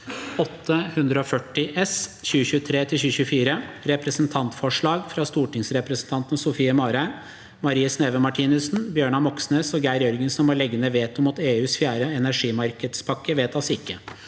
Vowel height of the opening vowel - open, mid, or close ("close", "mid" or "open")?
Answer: mid